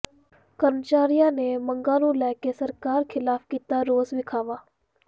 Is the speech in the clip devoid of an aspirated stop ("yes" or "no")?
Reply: no